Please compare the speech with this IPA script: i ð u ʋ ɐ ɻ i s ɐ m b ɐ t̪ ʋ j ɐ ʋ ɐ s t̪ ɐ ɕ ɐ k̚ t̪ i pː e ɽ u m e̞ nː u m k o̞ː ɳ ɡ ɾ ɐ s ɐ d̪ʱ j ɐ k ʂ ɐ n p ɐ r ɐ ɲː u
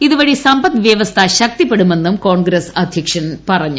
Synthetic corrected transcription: i ð u ʋ ɐ ɻ i s ɐ m b ɐ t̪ ʋ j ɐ ʋ ɐ s t̪ʰ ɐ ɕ ɐ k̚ t̪ i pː e ɽ u m e̞ nː u m k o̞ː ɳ ɡ ɾ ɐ s ɐ d̪ʱ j ɐ k ʂ ɐ n p ɐ r ɐ ɲː u

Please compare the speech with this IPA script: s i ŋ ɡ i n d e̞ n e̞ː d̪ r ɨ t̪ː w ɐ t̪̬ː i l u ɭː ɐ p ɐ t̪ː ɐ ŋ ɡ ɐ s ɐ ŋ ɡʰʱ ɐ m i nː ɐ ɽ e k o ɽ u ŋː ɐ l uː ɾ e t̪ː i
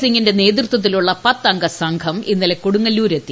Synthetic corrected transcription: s i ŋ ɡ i n d e̞ n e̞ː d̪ r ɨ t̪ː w ɐ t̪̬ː i l u ɭː ɐ p ɐ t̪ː ɐ ŋ ɡ ɐ s ɐ ŋ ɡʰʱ ɐ m i nː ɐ l e k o ɽ u ŋː ɐ l uː ɾ e t̪ː i

